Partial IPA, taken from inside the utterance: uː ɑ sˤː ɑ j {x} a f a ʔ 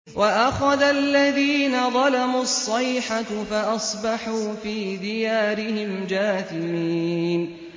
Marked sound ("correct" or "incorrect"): incorrect